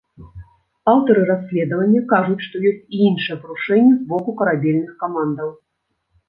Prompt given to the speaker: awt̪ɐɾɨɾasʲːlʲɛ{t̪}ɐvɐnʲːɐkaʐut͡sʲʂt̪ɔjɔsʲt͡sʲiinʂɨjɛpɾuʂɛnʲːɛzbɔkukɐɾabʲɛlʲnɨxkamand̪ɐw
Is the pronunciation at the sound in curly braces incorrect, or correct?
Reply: incorrect: d̪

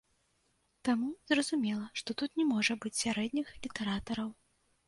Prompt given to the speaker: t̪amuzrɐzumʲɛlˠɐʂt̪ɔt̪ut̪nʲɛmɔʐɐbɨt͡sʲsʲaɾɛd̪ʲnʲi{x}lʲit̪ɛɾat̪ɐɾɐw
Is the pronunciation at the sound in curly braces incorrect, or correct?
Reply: correct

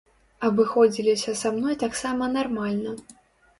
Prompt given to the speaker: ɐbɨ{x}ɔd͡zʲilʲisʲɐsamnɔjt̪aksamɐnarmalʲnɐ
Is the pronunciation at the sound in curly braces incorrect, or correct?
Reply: correct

